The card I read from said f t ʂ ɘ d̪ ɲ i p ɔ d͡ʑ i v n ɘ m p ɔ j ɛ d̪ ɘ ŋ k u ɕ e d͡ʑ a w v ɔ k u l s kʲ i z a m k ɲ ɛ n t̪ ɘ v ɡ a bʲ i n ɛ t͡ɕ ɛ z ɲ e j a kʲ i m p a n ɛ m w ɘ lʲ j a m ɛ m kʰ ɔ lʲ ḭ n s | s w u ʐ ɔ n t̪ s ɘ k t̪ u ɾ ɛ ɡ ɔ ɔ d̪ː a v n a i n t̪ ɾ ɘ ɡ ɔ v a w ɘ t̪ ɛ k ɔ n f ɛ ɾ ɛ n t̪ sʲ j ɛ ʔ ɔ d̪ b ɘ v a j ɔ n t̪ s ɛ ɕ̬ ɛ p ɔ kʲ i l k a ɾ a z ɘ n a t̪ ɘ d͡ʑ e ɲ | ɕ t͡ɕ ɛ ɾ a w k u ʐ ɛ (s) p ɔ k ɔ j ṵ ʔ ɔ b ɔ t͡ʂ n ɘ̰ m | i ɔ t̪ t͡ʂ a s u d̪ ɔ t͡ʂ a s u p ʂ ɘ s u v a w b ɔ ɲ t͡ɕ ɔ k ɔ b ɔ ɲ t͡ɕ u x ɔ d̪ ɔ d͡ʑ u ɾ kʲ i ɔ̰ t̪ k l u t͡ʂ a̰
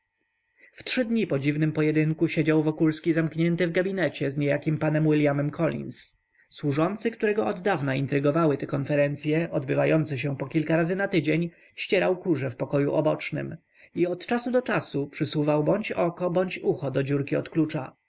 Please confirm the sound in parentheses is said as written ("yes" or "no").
no